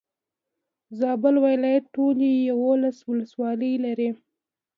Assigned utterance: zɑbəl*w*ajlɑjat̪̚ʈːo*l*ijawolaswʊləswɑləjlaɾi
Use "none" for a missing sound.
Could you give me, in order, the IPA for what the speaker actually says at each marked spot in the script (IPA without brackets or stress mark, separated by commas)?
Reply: w, l